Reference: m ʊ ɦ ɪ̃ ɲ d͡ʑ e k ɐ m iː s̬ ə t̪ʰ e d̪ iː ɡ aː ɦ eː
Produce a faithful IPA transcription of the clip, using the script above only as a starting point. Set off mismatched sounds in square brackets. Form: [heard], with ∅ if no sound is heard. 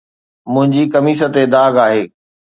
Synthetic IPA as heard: m [ʊ̃] ɦ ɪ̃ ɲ d͡ʑ [i] k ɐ m iː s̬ ə [t̪] e d̪ [aː] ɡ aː ɦ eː

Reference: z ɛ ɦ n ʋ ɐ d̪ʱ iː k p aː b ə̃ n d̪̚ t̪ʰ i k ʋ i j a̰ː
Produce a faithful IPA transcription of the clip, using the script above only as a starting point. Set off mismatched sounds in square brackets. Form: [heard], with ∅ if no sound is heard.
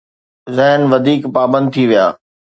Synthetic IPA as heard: z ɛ ɦ n ʋ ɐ d̪ʱ iː k p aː b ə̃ n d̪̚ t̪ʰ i [∅] ʋ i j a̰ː

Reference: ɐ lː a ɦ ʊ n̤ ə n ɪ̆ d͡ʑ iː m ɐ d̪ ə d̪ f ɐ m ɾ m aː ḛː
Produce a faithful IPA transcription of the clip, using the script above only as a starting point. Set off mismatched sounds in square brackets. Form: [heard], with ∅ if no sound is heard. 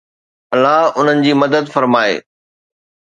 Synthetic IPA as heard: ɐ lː a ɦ ʊ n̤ ə n ɪ̆ d͡ʑ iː m ɐ d̪ ə d̪ f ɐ [∅] ɾ m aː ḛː

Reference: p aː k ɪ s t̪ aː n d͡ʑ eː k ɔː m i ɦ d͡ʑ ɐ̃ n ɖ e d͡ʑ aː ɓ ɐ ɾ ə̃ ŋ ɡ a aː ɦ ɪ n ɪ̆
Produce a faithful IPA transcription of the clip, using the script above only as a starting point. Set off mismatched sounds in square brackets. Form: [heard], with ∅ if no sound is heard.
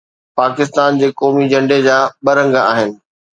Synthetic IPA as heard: p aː k ɪ s t̪ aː n d͡ʑ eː k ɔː m i [∅] d͡ʑ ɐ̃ [ɳ] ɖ e d͡ʑ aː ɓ ɐ ɾ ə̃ ŋ ɡ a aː ɦ ɪ n ɪ̆

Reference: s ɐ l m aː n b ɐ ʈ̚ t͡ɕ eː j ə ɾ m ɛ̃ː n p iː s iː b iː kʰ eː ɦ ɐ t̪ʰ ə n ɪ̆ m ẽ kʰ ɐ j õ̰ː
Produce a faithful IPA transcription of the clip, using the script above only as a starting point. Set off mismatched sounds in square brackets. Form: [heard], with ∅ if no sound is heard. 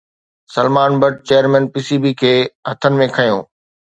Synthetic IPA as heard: s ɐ l m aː n b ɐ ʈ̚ t͡ɕ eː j ə ɾ m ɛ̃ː n p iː s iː b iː kʰ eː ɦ ɐ t̪ʰ ə n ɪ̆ m ẽ kʰ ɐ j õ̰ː

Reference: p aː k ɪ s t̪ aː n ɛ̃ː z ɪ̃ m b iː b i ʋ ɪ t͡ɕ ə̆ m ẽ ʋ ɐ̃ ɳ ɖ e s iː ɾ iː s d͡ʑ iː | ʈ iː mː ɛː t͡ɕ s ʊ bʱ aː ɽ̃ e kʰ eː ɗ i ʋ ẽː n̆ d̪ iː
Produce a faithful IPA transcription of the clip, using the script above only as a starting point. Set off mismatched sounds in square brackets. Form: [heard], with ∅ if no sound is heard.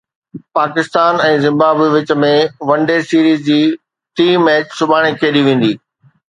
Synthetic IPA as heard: p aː k ɪ s t̪ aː n ɛ̃ː z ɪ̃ m b [aː] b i ʋ ɪ t͡ɕ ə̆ m ẽ ʋ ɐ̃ ɳ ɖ e s iː ɾ iː [z] d͡ʑ iː | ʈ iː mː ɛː t͡ɕ s ʊ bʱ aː ɽ̃ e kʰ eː ɗ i ʋ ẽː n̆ d̪ iː

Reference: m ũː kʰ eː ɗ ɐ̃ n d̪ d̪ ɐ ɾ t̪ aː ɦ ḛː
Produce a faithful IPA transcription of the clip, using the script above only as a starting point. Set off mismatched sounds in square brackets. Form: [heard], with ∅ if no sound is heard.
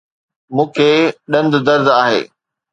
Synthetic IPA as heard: m ũː kʰ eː ɗ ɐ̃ n d̪ d̪ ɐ ɾ [d̪] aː ɦ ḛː

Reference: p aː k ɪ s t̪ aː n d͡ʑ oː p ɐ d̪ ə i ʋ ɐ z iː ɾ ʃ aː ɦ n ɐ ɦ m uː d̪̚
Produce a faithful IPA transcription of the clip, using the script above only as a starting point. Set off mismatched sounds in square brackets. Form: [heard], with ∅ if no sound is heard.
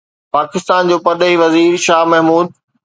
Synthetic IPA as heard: p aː k ɪ s t̪ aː n d͡ʑ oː p ɐ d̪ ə i ʋ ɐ z iː ɾ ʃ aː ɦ [m] ɐ ɦ m uː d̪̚

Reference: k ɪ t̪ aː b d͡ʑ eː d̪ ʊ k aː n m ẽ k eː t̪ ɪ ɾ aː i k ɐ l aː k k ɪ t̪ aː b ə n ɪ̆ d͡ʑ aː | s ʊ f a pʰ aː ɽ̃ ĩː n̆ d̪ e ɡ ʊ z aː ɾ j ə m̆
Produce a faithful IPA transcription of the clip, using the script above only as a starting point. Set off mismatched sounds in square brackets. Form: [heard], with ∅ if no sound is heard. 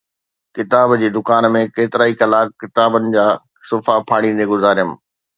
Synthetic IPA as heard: k ɪ t̪ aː b d͡ʑ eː d̪ ʊ k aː n m ẽ k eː t̪ ɪ ɾ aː i k ɐ l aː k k ɪ t̪ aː b ə n ɪ̆ d͡ʑ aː | s ʊ f a pʰ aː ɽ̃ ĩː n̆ d̪ e ɡ ʊ z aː ɾ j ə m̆

